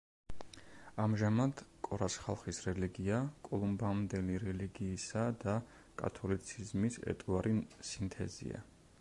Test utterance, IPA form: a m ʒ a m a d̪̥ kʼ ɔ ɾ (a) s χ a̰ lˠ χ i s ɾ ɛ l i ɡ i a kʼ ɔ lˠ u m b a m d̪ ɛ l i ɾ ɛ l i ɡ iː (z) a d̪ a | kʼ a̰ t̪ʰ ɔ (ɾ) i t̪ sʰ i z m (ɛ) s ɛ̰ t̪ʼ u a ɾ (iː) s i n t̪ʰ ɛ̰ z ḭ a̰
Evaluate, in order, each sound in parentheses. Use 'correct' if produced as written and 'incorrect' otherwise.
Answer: correct, incorrect: s, incorrect: l, incorrect: i, incorrect: i

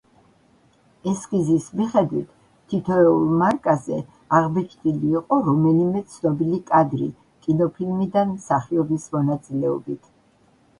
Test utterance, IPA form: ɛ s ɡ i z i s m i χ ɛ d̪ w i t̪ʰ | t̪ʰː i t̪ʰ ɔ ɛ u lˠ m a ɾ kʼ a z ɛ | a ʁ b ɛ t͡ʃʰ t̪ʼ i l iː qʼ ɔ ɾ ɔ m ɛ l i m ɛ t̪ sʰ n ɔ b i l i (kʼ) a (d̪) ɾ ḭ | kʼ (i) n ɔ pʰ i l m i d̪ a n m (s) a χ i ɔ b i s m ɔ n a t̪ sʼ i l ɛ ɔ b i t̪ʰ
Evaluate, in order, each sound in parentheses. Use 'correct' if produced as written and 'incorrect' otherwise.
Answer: correct, correct, correct, correct

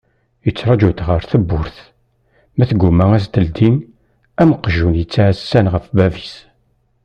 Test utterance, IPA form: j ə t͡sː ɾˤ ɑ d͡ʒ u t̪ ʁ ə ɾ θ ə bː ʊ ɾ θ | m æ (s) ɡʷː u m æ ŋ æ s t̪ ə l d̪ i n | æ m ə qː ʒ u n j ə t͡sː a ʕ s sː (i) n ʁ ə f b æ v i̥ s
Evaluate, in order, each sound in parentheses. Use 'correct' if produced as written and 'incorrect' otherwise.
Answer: incorrect: θ, incorrect: æ

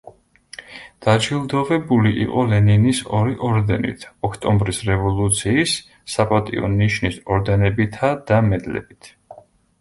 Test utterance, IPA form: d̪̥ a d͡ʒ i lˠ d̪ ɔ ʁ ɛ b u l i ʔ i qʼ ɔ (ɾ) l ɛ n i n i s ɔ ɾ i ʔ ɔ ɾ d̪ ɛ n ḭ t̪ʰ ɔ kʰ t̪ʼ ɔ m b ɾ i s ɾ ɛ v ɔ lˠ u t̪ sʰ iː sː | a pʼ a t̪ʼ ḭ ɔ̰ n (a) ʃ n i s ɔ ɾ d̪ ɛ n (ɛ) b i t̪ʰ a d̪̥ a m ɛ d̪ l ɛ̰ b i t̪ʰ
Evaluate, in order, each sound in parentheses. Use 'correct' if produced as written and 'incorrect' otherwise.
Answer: incorrect: none, incorrect: i, correct

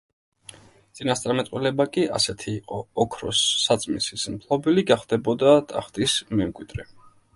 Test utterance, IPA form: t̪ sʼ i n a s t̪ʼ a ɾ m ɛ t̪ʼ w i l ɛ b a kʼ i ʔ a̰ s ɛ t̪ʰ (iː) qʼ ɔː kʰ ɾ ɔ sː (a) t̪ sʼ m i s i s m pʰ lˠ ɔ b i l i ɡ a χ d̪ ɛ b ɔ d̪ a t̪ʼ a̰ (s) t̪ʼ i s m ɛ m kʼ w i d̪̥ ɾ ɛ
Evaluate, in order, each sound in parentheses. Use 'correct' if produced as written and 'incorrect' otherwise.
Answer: correct, correct, incorrect: χ

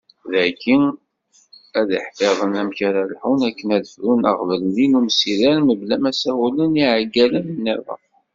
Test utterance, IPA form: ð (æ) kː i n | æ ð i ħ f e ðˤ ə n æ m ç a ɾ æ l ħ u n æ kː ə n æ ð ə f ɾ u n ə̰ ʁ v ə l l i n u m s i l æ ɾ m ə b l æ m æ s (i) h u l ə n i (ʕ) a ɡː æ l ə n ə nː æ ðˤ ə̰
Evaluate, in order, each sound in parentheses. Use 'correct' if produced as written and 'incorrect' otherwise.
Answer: correct, incorrect: æ, correct

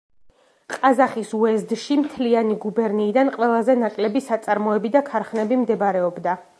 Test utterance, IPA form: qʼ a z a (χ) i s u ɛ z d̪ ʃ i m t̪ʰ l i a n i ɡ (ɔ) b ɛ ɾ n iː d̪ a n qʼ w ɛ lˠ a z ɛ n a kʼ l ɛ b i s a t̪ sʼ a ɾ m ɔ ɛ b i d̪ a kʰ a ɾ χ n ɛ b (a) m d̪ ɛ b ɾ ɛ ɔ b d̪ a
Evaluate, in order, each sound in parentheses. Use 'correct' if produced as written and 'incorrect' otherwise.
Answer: correct, incorrect: u, incorrect: i

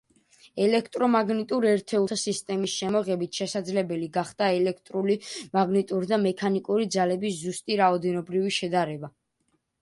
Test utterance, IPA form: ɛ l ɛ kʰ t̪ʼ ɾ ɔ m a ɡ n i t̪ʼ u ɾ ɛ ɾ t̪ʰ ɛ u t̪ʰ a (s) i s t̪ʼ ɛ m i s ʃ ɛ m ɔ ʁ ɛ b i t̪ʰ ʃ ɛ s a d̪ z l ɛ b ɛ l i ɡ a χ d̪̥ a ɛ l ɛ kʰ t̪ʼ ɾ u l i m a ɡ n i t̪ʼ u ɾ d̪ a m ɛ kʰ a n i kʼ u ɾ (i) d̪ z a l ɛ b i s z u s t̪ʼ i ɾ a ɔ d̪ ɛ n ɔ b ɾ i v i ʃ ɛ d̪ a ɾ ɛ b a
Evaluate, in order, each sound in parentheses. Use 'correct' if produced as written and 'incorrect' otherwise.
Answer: correct, correct

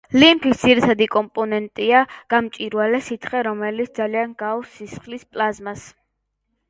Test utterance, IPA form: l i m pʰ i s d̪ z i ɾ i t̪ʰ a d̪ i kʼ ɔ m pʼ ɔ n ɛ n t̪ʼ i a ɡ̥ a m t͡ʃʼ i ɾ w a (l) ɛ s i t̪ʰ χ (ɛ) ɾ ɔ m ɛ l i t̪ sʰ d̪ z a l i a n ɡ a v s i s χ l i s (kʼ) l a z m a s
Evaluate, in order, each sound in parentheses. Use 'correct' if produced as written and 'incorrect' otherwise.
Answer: correct, correct, incorrect: pʼ

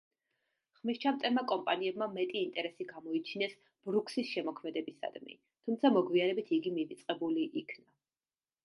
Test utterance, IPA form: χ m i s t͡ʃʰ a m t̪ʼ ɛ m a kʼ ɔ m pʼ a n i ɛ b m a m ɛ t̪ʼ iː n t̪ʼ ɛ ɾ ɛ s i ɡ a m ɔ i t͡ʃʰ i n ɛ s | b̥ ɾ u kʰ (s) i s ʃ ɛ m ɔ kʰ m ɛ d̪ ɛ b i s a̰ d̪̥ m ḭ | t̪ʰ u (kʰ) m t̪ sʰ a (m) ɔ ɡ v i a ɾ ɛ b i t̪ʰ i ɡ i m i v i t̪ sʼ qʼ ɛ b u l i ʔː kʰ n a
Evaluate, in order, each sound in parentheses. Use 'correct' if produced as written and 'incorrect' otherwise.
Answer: correct, incorrect: none, correct

